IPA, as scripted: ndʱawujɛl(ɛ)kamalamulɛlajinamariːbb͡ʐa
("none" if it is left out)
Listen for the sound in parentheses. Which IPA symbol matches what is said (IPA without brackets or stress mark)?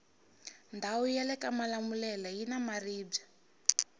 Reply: ɛ